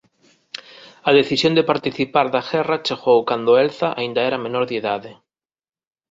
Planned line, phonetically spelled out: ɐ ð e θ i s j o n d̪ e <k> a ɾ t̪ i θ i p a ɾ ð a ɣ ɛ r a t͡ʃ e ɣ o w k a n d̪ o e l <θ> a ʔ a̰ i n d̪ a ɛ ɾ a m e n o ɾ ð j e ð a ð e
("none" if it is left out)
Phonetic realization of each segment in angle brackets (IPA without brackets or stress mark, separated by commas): p, θ